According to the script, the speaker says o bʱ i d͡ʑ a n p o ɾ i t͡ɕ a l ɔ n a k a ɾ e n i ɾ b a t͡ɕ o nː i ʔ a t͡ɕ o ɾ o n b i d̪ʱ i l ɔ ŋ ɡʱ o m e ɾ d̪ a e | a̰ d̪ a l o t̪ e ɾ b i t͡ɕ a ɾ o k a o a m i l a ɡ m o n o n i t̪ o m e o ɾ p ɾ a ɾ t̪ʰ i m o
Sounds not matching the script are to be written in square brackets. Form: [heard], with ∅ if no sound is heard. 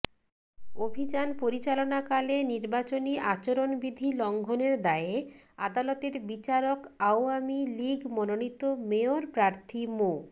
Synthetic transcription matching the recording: o bʱ i d͡ʑ a n p o ɾ i t͡ɕ a l [o] n a k a [l] e n i ɾ b a t͡ɕ o [n] i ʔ a t͡ɕ o ɾ o n b i d̪ʱ i l ɔ ŋ ɡʱ o [n] e ɾ d̪ a e | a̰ d̪ a l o t̪ e ɾ b i t͡ɕ a ɾ o k a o a m i l [i] ɡ m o n o n i t̪ o m e o ɾ p ɾ a ɾ t̪ʰ i m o